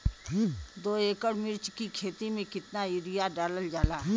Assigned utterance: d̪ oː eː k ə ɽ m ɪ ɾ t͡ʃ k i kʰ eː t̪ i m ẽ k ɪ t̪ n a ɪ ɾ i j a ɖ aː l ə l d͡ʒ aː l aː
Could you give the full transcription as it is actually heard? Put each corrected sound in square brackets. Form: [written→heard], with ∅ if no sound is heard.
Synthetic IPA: d̪ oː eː k ə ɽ m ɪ ɾ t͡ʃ k i kʰ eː t̪ i m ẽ k ɪ t̪ n a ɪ ɾ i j a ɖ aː l ə l d͡ʒ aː l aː